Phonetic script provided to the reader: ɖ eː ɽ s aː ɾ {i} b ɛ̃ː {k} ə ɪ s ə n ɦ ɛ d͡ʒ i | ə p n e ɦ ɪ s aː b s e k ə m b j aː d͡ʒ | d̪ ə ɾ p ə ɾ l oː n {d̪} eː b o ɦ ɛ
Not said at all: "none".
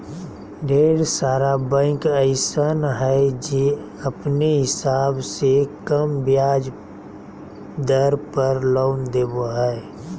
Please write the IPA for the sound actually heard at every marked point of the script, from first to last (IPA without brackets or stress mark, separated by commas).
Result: a, k, d̪